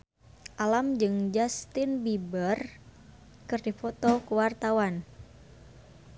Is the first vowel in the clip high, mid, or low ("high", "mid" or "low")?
low